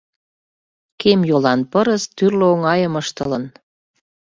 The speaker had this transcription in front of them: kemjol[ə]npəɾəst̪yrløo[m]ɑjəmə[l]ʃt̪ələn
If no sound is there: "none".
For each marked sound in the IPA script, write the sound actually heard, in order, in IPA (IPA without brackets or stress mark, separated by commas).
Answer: ɑ, ŋ, none